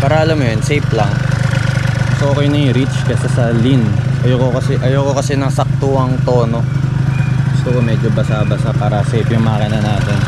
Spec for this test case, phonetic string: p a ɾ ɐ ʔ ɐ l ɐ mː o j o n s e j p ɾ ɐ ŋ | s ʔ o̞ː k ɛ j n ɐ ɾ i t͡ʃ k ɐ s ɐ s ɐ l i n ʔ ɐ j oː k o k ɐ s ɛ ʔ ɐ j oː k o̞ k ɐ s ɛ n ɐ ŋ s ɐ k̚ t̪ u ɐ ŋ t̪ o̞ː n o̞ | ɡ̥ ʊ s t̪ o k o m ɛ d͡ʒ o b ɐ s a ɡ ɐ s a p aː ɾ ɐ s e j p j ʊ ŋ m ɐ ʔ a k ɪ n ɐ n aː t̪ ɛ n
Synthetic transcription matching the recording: p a ɾ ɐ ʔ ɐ l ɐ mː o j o n s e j p l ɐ ŋ | s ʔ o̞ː k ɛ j n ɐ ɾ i t͡ʃ k ɐ s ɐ s ɐ l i n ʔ ɐ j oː k o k ɐ s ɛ ʔ ɐ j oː k o̞ k ɐ s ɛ n ɐ ŋ s ɐ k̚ t̪ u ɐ ŋ t̪ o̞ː n o̞ | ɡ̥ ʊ s t̪ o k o m ɛ d͡ʒ o b ɐ s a b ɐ s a p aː ɾ ɐ s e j p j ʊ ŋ m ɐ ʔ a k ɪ n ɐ n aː t̪ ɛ n